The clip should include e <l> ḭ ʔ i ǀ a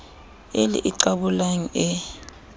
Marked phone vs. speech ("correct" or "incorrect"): correct